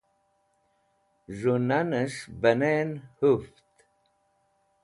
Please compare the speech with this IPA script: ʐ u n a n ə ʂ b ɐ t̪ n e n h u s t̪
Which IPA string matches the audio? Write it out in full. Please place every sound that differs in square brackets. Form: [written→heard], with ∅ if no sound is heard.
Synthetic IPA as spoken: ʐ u n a n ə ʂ b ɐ [t̪→∅] n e n h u [s→f] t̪